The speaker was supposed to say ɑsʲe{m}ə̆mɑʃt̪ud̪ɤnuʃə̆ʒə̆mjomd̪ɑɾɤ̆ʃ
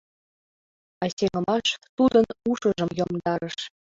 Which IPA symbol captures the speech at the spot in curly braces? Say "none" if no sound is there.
ŋ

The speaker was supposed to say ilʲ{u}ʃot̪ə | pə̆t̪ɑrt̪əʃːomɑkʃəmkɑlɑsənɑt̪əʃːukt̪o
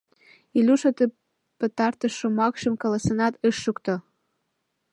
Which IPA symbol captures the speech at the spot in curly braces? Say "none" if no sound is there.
u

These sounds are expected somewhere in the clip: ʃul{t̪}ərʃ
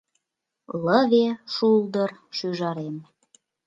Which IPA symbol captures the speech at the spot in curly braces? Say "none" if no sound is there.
d̪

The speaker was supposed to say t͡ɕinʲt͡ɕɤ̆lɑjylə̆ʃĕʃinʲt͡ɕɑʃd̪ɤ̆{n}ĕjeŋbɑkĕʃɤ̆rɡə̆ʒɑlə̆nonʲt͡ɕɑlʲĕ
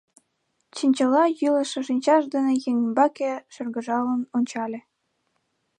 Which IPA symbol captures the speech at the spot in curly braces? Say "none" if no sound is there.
n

